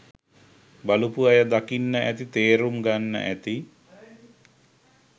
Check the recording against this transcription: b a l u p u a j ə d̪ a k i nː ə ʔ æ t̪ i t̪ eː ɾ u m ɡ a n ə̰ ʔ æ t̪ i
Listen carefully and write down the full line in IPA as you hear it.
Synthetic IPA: b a l u p u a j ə d̪ a k i nː ə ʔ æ t̪ i t̪ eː ɾ u m ɡ a nː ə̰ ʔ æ t̪ i